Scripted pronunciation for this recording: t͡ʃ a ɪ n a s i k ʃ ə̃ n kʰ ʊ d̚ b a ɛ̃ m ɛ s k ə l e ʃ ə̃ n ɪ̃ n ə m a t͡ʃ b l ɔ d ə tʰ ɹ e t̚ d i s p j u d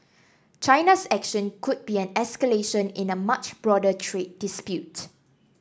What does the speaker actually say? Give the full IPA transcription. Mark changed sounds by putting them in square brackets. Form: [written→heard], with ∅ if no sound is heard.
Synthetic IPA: t͡ʃ a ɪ n a s [i→ɛ] k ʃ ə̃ n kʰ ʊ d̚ b [a→i] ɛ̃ [m→n] ɛ s k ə l e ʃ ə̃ n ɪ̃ n ə m a t͡ʃ b [l→ɹ] ɔ d ə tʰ ɹ e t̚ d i s p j u [d→t]